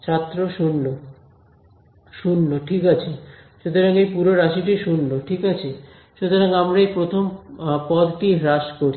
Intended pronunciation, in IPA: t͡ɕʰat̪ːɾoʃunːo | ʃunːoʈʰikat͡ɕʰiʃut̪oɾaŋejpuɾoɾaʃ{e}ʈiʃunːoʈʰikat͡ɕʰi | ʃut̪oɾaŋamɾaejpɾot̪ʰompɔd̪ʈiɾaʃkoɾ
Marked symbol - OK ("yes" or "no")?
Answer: no